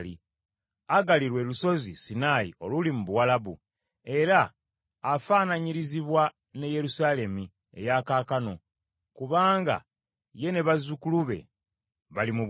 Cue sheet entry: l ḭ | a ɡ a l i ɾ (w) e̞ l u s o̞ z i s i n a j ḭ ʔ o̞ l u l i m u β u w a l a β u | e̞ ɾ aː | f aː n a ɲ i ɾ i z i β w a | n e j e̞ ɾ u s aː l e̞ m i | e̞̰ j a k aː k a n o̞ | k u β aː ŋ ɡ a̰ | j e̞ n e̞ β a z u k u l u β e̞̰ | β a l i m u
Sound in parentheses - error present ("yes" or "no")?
no